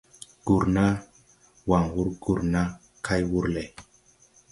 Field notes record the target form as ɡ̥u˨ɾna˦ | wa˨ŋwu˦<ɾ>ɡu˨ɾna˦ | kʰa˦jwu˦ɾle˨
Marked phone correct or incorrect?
correct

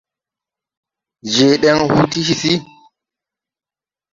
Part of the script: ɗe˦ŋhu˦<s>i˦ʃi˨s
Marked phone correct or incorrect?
incorrect: t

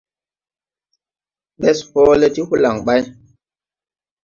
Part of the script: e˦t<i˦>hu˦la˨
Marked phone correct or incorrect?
correct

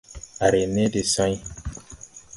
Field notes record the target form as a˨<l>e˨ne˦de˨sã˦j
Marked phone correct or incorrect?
incorrect: ɾ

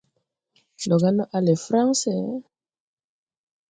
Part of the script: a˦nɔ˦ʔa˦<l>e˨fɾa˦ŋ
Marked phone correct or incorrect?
correct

